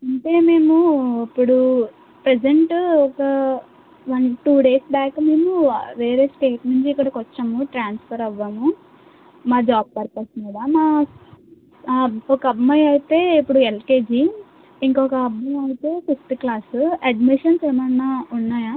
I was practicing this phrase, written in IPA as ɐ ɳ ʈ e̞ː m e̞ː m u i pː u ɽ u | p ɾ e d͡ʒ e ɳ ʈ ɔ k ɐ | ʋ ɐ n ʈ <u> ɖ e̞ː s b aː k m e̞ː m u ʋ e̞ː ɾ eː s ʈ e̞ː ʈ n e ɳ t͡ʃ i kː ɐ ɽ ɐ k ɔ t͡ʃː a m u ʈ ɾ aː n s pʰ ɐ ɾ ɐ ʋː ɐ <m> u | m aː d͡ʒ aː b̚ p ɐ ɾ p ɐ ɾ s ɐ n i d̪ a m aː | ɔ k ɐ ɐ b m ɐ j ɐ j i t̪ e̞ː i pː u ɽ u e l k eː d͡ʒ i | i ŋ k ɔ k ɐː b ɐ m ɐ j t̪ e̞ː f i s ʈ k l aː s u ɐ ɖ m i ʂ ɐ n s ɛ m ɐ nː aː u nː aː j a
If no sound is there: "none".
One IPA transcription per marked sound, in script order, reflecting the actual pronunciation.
uː, m

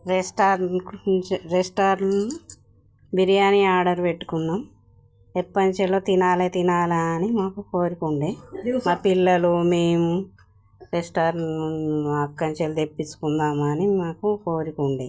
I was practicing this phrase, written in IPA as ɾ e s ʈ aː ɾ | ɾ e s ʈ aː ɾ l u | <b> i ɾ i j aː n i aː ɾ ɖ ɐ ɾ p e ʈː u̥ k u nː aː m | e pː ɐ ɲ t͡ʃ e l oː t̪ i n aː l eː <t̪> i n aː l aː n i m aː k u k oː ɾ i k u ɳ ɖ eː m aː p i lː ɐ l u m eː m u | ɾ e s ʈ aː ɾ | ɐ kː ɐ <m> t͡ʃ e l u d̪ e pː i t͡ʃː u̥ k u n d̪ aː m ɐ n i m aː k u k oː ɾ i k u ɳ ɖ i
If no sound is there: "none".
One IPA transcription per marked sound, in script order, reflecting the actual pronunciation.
b, t̪, ɲ

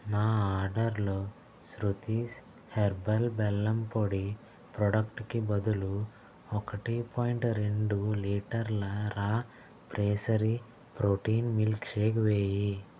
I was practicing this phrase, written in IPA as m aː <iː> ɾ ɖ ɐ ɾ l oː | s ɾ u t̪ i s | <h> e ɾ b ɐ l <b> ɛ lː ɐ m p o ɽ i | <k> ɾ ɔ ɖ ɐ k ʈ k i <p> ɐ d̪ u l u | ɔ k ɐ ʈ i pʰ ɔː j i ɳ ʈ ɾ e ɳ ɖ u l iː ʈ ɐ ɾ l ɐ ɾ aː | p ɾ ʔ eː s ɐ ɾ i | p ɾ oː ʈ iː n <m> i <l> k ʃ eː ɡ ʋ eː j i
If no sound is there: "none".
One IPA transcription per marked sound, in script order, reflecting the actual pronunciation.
aː, h, b, p, b, m, l

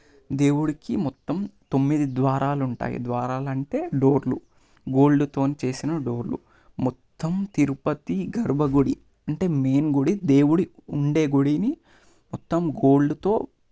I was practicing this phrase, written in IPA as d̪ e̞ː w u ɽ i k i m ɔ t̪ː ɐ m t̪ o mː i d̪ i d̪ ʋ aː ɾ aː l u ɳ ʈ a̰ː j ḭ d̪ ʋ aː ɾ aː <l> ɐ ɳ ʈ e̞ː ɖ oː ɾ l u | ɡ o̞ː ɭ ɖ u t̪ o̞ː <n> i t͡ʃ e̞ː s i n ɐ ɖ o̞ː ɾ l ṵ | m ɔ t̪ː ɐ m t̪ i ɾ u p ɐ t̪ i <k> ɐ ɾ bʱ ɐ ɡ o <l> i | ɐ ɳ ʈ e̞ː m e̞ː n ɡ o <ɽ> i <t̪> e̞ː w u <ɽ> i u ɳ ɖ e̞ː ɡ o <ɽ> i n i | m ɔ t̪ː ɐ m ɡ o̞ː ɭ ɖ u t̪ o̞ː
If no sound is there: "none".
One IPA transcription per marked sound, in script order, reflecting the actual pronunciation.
l, n, ɡ, ɽ, ɽ, d̪, ɽ, ɽ

